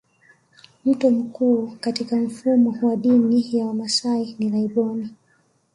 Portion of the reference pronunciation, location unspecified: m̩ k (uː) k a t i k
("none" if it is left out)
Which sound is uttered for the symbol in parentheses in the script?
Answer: uː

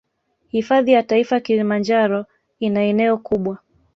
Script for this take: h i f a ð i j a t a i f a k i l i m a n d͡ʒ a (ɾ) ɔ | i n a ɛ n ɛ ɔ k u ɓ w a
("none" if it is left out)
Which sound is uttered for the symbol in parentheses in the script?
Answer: ɾ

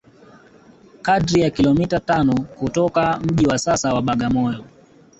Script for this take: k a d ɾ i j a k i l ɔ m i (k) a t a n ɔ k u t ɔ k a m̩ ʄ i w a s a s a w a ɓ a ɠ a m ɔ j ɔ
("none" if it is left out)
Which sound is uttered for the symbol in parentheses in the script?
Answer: t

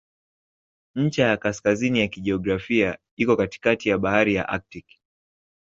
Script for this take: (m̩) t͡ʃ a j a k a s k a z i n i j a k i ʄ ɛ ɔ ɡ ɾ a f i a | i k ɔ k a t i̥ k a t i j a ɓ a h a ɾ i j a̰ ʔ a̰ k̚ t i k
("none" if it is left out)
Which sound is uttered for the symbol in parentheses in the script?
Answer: ɲ̩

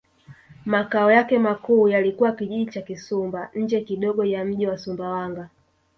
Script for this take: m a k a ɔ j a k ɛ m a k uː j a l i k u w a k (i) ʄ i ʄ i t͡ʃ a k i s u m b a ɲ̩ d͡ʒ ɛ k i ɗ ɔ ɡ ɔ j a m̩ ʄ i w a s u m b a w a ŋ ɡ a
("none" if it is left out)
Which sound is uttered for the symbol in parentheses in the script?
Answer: i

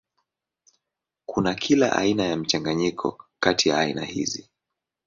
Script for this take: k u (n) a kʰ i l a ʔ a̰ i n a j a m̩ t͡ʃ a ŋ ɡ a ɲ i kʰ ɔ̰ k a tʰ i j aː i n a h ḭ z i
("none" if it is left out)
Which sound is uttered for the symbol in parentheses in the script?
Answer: n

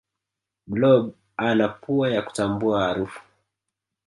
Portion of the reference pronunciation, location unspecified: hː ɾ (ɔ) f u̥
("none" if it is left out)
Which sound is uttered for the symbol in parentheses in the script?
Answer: u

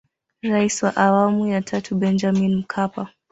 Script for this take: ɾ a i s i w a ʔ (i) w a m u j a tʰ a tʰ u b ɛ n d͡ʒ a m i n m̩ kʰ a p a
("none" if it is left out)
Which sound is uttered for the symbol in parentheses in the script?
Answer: a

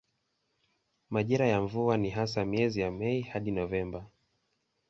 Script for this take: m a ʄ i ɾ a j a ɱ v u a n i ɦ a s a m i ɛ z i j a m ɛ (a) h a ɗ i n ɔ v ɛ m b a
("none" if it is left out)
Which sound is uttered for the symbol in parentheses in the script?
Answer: i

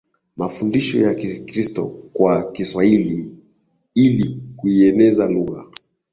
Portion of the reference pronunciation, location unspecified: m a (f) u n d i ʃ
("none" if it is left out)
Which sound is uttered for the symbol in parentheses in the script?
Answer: f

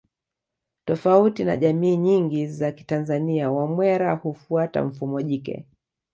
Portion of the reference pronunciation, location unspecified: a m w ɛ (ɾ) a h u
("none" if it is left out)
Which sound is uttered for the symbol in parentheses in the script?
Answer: ɾ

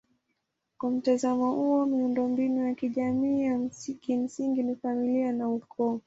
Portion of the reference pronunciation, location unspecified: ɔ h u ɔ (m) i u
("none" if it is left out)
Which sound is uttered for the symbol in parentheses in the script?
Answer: m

